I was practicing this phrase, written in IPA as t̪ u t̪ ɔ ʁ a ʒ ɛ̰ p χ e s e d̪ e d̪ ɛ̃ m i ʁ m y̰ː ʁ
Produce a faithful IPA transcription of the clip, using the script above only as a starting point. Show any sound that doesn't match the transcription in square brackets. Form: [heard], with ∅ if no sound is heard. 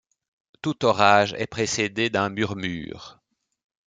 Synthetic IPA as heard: t̪ u t̪ ɔ ʁ a ʒ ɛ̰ p χ e s e d̪ e d̪ ɛ̃ m [y] ʁ m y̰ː ʁ